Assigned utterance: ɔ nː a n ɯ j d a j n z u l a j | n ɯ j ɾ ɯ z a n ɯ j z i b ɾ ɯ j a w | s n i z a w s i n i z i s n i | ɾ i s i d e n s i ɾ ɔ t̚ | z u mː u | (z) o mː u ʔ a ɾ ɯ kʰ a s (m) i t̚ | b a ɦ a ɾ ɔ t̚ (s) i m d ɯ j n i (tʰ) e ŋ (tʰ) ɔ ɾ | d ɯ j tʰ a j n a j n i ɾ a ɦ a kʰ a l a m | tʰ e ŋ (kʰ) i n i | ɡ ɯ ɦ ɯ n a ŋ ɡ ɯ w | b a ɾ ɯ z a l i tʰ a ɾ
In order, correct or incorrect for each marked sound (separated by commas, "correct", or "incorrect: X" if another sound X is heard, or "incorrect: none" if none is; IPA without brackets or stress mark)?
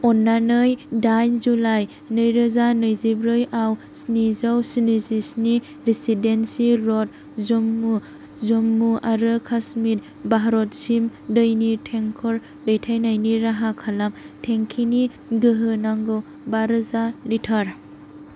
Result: correct, correct, correct, correct, incorrect: kʰ, correct